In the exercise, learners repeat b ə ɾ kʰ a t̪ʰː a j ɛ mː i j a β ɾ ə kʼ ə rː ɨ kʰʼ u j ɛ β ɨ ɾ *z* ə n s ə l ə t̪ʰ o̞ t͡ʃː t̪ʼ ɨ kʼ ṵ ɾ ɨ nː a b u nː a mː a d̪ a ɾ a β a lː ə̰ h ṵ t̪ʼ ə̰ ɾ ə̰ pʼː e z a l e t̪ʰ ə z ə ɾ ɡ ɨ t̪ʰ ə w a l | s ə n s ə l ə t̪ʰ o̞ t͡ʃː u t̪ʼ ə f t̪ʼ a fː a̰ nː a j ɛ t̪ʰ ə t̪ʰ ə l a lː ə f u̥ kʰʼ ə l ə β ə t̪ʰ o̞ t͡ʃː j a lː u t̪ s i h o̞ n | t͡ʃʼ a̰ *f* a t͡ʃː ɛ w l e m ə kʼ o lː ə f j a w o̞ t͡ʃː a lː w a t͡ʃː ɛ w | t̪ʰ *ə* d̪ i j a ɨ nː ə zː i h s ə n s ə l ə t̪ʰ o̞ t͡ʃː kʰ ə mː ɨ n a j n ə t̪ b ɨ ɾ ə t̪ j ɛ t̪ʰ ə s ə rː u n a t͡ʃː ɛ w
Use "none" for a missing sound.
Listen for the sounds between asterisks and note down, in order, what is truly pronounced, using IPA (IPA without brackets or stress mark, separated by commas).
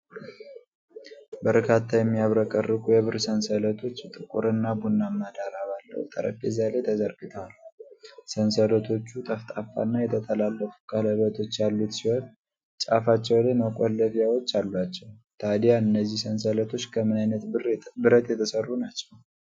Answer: s, f, a